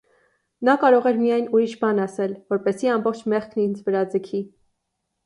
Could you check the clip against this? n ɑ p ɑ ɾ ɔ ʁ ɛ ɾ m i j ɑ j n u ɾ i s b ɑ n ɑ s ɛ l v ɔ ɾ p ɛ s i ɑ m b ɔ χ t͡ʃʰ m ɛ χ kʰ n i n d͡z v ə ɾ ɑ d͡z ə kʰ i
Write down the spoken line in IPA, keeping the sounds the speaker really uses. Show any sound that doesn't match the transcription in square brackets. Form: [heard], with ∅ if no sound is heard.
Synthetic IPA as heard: n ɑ [k] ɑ ɾ ɔ ʁ ɛ ɾ m i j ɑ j n u ɾ i [ʃ] b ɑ n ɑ s ɛ l v ɔ ɾ p ɛ s i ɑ m b ɔ χ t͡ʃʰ m ɛ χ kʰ n i n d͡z v ə ɾ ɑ d͡z ə kʰ i